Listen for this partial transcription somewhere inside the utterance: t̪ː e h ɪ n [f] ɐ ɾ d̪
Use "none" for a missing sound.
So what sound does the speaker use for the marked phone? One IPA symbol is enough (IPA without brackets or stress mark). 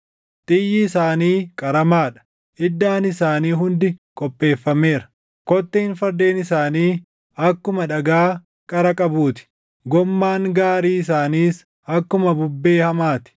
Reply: f